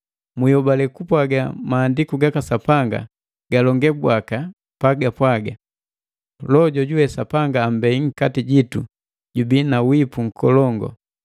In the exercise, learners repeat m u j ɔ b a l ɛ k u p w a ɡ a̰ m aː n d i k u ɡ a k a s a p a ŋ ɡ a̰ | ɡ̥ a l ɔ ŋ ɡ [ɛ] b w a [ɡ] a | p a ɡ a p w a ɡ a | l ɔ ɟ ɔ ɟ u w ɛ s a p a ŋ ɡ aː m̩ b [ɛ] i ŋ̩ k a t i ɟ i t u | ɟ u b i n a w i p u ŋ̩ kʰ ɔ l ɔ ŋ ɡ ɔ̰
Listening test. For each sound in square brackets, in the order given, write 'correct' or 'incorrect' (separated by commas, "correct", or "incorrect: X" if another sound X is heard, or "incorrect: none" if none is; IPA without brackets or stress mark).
correct, incorrect: k, correct